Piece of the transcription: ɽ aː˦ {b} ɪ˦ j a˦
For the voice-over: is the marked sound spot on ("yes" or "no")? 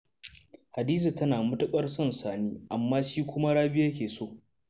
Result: yes